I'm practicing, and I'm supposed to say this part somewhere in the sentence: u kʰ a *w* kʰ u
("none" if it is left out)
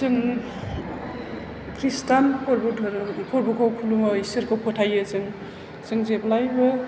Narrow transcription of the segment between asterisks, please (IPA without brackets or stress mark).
w